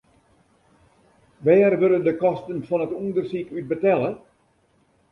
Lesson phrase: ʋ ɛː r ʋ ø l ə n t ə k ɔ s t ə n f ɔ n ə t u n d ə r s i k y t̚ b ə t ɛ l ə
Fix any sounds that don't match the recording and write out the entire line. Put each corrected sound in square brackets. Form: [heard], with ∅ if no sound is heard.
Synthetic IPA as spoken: ʋ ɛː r ʋ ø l ə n [d] ə k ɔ s t ə n f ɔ n ə t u n d ə r s i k y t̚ b ə t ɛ l ə

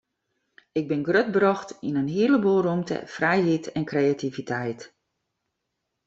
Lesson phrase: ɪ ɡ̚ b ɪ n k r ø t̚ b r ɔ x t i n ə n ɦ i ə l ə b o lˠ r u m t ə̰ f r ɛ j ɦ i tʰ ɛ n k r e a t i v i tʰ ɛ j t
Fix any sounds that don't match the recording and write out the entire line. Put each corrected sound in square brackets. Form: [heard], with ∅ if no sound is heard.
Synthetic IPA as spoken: ɪ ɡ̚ b ɪ n [ɡ] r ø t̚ b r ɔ x t i n ə n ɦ i ə l ə b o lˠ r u m t ə̰ f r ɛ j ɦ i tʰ ɛ n k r e a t i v i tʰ ɛ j t

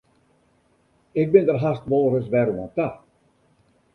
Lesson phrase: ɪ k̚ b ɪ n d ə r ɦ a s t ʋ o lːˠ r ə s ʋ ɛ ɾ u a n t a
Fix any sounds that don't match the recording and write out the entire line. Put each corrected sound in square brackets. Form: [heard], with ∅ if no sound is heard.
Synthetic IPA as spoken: ɪ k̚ b ɪ n d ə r ɦ a s t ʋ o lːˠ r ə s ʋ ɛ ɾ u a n t a

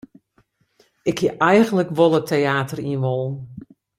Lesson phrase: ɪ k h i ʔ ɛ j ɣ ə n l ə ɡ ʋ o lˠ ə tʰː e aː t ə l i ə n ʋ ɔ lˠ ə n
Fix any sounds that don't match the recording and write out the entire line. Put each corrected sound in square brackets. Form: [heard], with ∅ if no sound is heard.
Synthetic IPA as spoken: ɪ k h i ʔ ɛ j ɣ ə n l ə [k] ʋ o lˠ ə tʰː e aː t ə [r] i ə n ʋ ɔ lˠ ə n

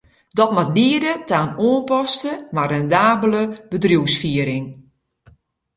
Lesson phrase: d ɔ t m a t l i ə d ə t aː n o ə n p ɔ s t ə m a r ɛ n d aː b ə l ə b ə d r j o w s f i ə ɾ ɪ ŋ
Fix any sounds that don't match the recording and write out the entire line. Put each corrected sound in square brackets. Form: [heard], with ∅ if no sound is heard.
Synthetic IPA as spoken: d ɔ t m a t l i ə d ə t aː n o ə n p ɔ s t ə m a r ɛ n d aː b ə l ə b ə d r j [u] w s f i ə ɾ ɪ ŋ

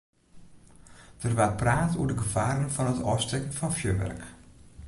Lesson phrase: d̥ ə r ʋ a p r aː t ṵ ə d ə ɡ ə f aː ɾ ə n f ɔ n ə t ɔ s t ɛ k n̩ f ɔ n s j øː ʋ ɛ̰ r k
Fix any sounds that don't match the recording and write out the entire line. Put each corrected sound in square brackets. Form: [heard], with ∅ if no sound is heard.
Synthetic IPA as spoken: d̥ ə r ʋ a p r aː t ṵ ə d ə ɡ ə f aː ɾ ə n f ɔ n ə t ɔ s t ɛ k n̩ f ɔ n [f] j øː ʋ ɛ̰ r k

